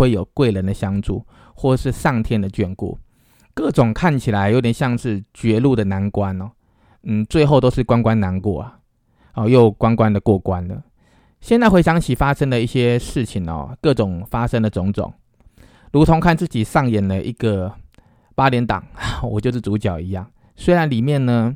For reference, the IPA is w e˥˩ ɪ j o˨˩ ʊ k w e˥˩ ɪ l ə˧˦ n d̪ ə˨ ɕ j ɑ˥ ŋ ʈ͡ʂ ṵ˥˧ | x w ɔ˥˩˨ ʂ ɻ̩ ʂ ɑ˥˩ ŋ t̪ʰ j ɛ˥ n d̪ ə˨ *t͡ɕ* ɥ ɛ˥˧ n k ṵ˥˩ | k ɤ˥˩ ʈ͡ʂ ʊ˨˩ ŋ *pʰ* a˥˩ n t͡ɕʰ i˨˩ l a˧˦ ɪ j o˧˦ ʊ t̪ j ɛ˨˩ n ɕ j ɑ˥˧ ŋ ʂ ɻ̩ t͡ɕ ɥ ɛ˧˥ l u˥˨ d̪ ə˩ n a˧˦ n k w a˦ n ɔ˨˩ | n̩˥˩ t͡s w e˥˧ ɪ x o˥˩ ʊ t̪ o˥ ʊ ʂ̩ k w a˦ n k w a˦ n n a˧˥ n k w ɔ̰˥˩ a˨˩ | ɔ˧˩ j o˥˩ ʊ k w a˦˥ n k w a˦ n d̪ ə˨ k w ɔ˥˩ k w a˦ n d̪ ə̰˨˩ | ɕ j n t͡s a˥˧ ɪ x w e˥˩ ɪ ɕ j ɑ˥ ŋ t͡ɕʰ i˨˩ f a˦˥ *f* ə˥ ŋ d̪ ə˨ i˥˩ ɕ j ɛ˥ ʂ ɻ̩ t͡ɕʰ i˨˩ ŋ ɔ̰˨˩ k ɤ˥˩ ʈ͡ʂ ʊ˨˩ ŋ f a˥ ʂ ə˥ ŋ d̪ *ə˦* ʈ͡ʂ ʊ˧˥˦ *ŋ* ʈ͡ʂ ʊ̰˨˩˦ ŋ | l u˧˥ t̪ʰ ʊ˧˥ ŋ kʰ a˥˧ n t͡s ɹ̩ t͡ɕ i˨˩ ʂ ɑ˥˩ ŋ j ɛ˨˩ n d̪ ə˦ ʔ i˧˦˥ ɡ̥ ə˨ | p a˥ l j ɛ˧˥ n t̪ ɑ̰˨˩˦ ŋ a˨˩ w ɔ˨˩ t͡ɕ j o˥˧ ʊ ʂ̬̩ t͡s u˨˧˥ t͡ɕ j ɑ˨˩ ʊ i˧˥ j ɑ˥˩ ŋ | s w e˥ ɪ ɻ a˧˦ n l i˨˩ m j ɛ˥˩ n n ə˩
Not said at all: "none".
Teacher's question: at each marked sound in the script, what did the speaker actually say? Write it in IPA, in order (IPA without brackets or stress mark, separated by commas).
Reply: t͡ɕ, kʰ, ʂ, ə˨, ŋ